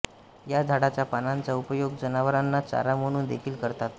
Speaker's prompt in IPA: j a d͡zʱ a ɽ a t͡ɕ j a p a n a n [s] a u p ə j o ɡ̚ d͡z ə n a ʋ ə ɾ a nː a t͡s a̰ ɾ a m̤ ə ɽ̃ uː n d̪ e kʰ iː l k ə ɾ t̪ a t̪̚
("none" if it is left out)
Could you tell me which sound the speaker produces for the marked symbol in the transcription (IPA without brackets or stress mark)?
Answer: t͡s